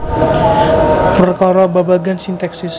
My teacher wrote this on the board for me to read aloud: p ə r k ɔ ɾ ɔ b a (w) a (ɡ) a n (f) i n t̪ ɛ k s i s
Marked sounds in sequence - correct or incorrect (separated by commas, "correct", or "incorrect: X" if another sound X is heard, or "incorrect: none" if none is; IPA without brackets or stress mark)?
incorrect: b, correct, incorrect: s